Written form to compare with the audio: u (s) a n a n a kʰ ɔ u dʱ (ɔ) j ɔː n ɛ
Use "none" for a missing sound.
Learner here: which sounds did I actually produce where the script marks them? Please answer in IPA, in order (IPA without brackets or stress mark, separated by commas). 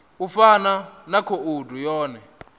f, u